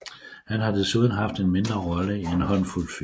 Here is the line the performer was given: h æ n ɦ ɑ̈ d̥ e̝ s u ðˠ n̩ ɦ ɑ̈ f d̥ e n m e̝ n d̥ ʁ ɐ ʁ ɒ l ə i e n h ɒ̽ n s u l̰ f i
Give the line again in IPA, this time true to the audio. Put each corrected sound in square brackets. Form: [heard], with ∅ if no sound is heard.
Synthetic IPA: h æ n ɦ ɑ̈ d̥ e̝ s u ðˠ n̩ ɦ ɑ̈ f d̥ e n m e̝ n d̥ ʁ ɐ ʁ ɒ l ə i e n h ɒ̽ n [f] u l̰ f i

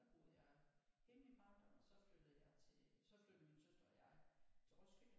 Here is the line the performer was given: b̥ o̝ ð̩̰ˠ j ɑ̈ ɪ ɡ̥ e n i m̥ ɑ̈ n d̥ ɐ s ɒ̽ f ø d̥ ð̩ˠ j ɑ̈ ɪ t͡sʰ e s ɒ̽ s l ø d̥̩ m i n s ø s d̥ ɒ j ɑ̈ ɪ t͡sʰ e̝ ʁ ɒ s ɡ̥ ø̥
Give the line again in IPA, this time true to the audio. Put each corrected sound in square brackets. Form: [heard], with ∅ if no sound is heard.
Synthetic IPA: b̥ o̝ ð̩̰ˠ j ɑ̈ ɪ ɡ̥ e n i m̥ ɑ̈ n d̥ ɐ s ɒ̽ f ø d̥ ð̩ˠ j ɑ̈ ɪ t͡sʰ e s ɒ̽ [f] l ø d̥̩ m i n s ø s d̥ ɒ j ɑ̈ ɪ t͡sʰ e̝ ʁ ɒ s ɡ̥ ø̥

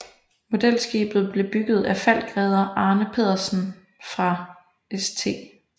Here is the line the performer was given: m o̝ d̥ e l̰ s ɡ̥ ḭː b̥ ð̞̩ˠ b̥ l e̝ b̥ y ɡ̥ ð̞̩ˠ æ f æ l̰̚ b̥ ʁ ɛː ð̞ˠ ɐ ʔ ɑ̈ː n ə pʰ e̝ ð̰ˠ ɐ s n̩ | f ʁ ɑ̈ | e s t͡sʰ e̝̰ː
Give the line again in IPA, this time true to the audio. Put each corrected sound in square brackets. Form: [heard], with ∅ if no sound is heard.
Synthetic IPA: m o̝ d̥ e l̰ s ɡ̥ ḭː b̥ ð̞̩ˠ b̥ l e̝ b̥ y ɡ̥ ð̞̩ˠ æ f æ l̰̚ [ɡ̥] ʁ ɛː ð̞ˠ ɐ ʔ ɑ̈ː n ə pʰ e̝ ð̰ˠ ɐ s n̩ | f ʁ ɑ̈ | e s t͡sʰ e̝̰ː

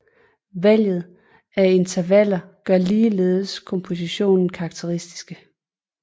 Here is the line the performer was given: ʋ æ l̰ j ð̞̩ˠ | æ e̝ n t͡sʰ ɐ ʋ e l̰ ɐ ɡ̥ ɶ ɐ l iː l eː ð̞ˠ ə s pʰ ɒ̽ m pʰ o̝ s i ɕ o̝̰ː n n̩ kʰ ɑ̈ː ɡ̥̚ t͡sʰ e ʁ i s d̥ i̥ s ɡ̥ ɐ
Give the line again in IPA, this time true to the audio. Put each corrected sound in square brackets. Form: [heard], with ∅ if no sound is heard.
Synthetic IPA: ʋ æ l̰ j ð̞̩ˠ | æ e̝ n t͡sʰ ɐ ʋ [æ] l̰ ɐ ɡ̥ ɶ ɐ l iː l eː ð̞ˠ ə s [kʰ] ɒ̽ m pʰ o̝ s i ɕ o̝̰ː n n̩ kʰ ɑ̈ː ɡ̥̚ t͡sʰ e ʁ i s d̥ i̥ s ɡ̥ [ə]

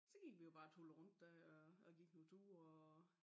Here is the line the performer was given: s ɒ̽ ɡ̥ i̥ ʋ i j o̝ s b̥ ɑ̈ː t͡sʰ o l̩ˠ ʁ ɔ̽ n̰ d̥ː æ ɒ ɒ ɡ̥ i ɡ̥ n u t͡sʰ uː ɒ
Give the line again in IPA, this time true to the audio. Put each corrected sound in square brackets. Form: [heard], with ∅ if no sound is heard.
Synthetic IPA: s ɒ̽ ɡ̥ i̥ ʋ i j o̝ [∅] b̥ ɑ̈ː t͡sʰ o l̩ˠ ʁ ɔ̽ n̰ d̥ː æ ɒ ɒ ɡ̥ i ɡ̥ n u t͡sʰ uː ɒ

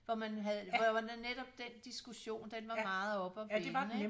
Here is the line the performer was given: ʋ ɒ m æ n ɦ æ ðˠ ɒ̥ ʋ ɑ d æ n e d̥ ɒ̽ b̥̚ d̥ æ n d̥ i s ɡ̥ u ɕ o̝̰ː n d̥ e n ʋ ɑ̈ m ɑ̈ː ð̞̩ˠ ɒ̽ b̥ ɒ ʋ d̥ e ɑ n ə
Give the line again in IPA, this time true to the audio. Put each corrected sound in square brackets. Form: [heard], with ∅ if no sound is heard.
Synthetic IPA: ʋ ɒ m æ n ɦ æ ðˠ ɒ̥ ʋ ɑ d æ n e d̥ ɒ̽ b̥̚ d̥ [e] n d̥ i s ɡ̥ u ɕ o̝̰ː n d̥ e n ʋ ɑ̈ m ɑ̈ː ð̞̩ˠ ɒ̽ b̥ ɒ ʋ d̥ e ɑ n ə

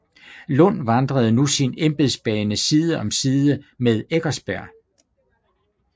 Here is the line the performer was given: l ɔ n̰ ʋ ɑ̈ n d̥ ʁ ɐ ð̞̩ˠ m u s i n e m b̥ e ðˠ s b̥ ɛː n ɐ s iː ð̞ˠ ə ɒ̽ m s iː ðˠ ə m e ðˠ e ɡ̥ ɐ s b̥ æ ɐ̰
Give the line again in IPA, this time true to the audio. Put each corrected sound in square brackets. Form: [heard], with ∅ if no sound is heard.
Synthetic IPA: l ɔ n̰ ʋ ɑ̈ n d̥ ʁ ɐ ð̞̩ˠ [n] u s i n e m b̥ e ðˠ s b̥ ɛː n [ə] s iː ð̞ˠ ə ɒ̽ m s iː ðˠ ə m e ðˠ e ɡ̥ ɐ s b̥ æ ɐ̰

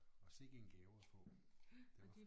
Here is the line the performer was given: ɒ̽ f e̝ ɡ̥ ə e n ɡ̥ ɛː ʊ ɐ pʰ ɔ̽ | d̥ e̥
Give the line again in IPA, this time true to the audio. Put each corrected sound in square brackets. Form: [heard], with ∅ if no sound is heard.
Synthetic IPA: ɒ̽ [s] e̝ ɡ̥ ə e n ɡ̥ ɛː ʊ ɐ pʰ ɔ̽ | d̥ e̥

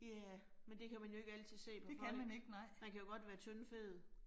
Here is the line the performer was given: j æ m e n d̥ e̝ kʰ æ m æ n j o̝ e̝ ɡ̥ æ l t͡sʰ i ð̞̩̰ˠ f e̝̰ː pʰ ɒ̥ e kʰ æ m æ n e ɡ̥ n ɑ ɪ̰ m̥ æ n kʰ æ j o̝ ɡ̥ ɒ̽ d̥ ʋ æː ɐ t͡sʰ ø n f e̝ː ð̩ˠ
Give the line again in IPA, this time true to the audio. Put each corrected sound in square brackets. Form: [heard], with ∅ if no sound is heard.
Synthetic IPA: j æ m e n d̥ e̝ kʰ æ m æ n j o̝ e̝ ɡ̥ æ l t͡sʰ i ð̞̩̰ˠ [s] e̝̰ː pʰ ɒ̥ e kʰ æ m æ n e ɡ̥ n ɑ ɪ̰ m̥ æ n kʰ æ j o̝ ɡ̥ ɒ̽ d̥ ʋ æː ɐ t͡sʰ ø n f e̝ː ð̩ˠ

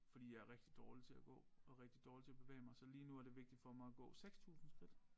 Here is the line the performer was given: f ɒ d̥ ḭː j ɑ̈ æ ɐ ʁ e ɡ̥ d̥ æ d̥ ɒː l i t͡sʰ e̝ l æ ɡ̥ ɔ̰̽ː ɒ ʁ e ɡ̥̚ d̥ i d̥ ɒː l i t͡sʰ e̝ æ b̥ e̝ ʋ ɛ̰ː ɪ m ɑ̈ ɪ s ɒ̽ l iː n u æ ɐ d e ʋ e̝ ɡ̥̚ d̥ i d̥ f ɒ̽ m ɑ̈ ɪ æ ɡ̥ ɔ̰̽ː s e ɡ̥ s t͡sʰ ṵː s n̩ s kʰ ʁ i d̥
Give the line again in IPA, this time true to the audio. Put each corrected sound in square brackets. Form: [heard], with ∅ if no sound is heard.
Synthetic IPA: f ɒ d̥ ḭː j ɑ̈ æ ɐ ʁ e ɡ̥ d̥ [i] d̥ ɒː l i t͡sʰ e̝ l æ ɡ̥ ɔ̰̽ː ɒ ʁ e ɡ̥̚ d̥ i d̥ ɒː l i t͡sʰ e̝ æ b̥ e̝ ʋ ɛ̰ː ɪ m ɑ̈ ɪ s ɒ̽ l iː n u æ ɐ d e ʋ e̝ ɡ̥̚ d̥ i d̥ f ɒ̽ m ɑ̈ ɪ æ ɡ̥ ɔ̰̽ː s e ɡ̥ s t͡sʰ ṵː s n̩ s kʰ ʁ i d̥

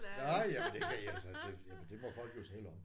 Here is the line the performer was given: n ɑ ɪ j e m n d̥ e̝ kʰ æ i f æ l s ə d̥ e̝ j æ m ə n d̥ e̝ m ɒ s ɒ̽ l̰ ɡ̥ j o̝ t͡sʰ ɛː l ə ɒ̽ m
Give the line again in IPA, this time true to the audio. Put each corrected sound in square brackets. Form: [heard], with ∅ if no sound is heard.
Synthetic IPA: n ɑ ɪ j [æ] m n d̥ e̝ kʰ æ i [∅] æ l s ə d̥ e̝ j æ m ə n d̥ e̝ m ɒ [f] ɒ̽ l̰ ɡ̥ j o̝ t͡sʰ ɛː l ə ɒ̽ m

